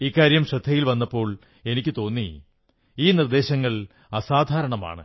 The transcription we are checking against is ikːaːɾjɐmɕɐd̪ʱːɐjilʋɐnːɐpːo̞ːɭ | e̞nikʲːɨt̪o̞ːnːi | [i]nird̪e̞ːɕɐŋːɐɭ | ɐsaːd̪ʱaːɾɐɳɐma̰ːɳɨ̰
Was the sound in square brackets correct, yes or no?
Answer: no